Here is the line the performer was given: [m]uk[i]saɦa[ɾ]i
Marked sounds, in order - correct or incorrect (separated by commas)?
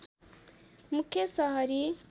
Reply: correct, incorrect, correct